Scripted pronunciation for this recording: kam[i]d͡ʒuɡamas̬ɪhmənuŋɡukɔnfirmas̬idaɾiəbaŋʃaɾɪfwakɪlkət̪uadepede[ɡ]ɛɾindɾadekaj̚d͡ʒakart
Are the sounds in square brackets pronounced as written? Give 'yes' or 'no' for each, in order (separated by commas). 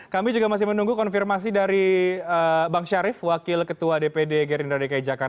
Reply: yes, yes